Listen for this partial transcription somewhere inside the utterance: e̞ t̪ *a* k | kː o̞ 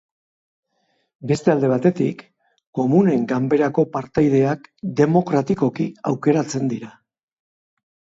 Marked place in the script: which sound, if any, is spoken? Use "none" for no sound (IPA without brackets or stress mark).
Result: i